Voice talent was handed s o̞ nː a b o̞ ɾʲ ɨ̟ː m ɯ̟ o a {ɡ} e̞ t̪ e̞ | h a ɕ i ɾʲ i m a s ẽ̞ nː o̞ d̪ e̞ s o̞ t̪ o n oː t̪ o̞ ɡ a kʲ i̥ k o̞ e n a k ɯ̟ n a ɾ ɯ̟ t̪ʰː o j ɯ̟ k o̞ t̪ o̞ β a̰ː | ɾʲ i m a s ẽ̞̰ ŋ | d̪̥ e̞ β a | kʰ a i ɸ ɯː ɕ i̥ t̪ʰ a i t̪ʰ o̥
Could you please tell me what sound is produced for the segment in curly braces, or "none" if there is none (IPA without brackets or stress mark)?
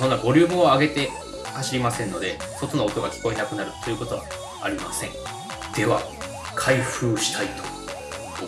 ɡ